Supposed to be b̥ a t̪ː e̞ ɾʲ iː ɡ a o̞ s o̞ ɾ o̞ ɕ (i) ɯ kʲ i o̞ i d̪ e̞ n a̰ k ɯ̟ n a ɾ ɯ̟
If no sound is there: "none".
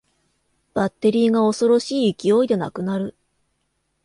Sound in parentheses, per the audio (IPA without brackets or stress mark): iː